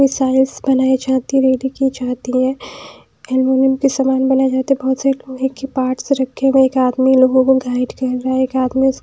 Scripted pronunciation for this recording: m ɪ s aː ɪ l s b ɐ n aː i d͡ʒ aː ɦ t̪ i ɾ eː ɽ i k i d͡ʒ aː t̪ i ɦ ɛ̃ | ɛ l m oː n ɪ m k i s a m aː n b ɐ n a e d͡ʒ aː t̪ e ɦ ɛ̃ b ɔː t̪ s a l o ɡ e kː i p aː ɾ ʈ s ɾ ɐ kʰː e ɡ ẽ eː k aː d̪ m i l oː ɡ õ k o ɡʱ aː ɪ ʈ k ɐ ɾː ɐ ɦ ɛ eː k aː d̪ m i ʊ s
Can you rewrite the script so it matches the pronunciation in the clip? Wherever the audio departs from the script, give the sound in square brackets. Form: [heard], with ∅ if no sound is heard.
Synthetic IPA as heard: m ɪ s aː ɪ l s b ɐ n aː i d͡ʒ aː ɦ t̪ i ɾ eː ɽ i k i d͡ʒ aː t̪ i ɦ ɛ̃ | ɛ l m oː n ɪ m k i s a m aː n b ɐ n a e d͡ʒ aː t̪ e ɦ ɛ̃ b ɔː t̪ s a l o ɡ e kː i p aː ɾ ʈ s ɾ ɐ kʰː e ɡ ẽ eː k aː d̪ m i l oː ɡ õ k o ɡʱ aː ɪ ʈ k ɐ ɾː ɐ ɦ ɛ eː k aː d̪ m i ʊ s

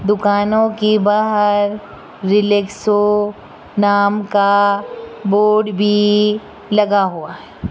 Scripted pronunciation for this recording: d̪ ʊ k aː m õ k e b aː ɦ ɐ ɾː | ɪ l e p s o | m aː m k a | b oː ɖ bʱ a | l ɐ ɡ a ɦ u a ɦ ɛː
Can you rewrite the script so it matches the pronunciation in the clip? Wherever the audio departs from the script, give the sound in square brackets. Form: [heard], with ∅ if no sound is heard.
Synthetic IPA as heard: d̪ ʊ k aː [n] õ k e b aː ɦ [ə] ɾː | ɪ l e [k] s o | [n] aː m k a | b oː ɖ bʱ [i] | l ɐ ɡ a ɦ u a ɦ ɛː

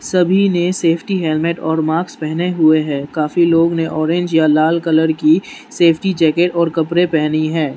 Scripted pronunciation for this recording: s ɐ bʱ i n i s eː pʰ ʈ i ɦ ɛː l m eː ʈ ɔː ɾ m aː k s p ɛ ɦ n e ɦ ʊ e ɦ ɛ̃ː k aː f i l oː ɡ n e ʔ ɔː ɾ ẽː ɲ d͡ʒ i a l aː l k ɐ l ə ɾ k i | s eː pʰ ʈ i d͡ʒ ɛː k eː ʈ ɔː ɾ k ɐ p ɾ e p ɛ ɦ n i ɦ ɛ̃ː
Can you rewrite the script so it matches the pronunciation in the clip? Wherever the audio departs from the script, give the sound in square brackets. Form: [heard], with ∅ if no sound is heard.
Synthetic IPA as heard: s ɐ bʱ i n [e] s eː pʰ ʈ i ɦ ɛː l m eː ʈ ɔː ɾ m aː k s p ɛ ɦ n e ɦ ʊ e ɦ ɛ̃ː k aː f i l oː ɡ n e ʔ ɔː ɾ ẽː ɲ d͡ʒ [j] a l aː l k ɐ l ə ɾ k i | s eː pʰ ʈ i d͡ʒ ɛː k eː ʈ ɔː ɾ k ɐ p ɾ e p ɛ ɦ n i ɦ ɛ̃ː

